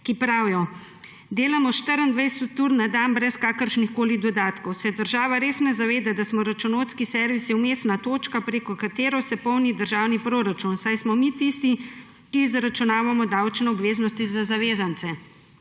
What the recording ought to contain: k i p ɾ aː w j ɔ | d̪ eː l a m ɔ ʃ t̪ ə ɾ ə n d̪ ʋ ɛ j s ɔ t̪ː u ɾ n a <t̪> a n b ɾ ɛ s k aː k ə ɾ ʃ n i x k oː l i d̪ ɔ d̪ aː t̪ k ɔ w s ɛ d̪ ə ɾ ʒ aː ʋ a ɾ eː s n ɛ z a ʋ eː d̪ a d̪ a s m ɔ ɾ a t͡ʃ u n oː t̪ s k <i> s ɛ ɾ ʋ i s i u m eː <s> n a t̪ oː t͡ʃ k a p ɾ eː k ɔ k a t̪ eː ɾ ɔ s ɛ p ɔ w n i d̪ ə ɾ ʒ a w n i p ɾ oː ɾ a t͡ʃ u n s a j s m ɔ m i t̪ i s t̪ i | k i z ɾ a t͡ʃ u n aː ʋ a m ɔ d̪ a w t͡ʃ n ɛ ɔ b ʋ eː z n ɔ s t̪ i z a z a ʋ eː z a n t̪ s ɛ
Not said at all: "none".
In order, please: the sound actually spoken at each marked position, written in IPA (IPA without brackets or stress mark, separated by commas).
d̪, i, s